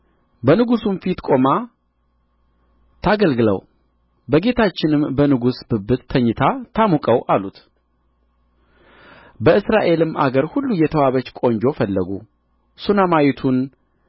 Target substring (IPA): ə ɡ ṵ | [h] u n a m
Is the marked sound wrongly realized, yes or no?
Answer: yes